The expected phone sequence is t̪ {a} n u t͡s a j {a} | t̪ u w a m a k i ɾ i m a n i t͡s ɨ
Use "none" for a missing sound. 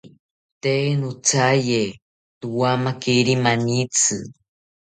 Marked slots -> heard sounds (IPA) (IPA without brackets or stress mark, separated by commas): e, e